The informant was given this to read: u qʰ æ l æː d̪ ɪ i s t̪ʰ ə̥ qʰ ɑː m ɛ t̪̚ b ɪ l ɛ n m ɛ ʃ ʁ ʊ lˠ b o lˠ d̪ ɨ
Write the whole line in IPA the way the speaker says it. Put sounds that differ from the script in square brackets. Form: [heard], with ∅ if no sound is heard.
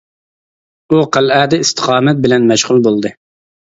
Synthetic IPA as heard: u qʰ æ l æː d̪ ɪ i s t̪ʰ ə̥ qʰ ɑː m ɛ t̪̚ b ɪ l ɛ n m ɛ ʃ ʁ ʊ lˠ b o lˠ d̪ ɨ